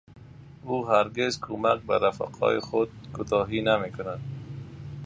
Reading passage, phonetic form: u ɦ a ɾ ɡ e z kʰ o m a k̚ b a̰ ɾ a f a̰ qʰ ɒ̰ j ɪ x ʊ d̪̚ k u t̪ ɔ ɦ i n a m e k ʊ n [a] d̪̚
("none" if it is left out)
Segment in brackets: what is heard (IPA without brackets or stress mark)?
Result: a